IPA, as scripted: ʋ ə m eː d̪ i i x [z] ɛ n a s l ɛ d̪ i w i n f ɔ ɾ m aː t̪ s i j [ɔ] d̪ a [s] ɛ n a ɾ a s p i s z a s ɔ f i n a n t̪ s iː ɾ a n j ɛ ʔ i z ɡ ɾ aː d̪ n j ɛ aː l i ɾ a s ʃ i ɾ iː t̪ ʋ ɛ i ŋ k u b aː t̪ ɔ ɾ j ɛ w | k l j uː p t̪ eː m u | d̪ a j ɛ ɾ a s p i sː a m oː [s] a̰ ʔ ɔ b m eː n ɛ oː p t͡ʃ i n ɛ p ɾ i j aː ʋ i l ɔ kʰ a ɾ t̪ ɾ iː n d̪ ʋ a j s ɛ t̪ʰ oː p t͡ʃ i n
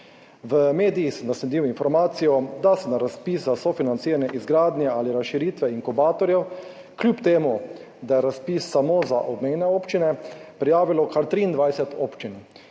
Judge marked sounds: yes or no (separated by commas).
no, yes, yes, no